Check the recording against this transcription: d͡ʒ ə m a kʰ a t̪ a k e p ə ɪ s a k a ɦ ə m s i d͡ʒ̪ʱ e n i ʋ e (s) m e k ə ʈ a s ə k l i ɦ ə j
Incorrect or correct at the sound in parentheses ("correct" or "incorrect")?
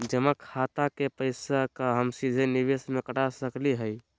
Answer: correct